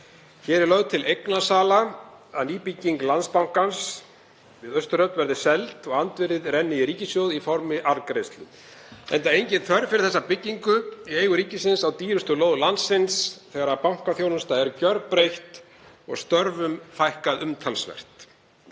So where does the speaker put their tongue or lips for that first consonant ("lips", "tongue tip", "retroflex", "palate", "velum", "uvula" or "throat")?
palate